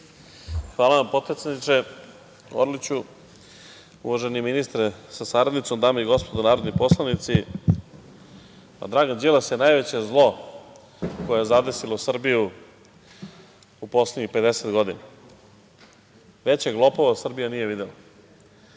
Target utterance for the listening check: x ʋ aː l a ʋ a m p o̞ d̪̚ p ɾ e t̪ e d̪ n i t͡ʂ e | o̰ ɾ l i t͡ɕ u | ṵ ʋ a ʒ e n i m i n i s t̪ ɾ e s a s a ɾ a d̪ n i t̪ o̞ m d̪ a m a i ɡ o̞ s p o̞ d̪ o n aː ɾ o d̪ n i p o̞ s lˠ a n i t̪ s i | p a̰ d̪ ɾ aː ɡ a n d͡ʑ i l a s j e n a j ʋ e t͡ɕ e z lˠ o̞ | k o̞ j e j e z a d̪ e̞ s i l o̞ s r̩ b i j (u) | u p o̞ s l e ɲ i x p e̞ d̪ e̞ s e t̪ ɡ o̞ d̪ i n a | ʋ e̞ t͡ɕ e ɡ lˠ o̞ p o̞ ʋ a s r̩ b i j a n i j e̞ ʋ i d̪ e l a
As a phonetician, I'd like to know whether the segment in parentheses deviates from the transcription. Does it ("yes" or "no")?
no